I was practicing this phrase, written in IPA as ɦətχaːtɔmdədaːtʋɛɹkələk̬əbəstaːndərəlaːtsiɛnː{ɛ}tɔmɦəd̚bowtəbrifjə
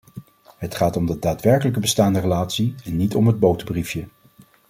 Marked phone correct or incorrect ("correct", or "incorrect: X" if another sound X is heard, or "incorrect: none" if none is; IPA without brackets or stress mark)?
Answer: incorrect: i